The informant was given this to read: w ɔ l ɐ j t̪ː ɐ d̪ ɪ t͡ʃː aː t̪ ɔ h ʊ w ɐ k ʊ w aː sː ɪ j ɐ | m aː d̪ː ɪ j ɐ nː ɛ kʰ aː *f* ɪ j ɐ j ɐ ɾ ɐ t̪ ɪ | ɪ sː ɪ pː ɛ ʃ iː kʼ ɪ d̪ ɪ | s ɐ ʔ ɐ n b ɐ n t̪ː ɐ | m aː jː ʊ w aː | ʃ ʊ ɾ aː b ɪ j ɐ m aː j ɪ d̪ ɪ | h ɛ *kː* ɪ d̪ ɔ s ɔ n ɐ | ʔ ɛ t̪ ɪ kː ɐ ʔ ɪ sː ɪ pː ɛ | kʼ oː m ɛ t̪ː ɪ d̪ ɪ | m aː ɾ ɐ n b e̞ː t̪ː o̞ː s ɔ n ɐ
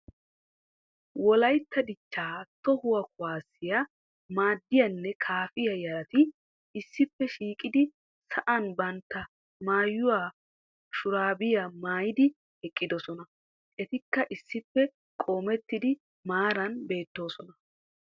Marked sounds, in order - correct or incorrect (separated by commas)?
correct, incorrect